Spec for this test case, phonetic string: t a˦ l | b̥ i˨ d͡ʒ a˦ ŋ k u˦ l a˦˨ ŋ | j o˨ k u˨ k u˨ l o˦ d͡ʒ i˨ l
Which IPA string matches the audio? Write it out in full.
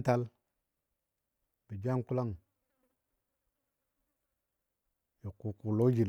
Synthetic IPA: t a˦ l | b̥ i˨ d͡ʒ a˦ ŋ k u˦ l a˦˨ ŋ | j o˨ k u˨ k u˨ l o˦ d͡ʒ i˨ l